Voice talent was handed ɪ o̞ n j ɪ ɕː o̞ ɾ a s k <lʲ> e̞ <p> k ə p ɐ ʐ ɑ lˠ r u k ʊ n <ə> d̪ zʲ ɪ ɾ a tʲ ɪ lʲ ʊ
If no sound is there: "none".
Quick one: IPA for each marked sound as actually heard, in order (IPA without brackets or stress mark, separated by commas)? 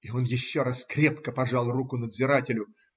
ɾʲ, p, ə